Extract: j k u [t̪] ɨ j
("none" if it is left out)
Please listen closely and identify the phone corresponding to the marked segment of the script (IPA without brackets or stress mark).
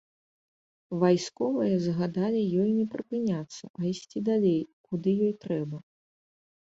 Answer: d̪